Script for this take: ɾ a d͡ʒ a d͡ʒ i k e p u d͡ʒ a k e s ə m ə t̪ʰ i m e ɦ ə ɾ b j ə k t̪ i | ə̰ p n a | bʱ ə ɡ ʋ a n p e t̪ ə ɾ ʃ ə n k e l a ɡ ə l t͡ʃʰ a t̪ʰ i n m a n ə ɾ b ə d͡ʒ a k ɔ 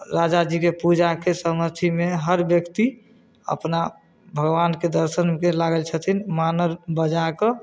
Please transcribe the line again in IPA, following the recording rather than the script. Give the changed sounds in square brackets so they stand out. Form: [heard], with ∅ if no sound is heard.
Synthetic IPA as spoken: ɾ a d͡ʒ a d͡ʒ i k e p u d͡ʒ a k e s ə m ə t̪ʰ i m e ɦ ə ɾ b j ə k t̪ i | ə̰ p n a | bʱ ə ɡ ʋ a n [k] e [d̪] ə ɾ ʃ ə n k e l a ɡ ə l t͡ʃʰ [ə] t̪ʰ i n m a n ə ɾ b ə d͡ʒ a k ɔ